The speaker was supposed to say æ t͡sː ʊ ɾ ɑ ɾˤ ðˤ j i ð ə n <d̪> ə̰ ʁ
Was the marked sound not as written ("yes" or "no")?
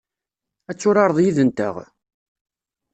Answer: yes